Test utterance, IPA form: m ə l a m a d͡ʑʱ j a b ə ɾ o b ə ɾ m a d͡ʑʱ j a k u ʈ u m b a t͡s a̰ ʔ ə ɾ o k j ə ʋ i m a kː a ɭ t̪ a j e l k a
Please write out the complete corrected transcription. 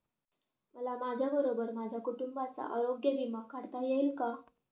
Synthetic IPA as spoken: m ə l a m a d͡ʑʱ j a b ə ɾ o b ə ɾ m a d͡ʑʱ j a k u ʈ u m b a t͡s a̰ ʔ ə ɾ o ɡ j ə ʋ i m a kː a ɽ t̪ a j e l k a